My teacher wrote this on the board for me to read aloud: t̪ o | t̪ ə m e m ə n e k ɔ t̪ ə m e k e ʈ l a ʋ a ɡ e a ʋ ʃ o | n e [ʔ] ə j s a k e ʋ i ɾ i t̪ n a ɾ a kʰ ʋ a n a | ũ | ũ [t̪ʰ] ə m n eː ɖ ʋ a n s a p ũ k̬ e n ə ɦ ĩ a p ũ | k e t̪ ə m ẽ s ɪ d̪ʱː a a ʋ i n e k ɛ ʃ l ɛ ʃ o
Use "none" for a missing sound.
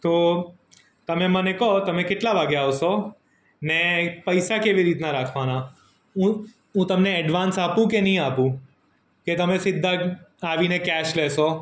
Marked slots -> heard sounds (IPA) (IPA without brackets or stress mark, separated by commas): p, t̪